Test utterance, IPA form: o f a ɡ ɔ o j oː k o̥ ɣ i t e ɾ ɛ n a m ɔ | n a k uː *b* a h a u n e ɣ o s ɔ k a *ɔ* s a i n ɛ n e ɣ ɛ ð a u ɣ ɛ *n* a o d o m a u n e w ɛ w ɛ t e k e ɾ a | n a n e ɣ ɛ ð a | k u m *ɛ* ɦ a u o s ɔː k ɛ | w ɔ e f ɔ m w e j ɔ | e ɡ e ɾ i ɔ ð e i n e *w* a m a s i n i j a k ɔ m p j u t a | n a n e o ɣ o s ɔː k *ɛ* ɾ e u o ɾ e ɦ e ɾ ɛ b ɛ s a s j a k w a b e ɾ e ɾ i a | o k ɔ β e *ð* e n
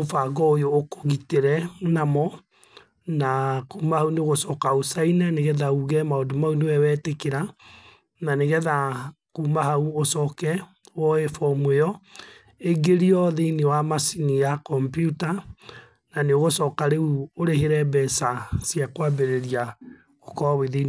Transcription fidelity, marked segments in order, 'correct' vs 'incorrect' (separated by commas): incorrect, incorrect, incorrect, incorrect, correct, incorrect, correct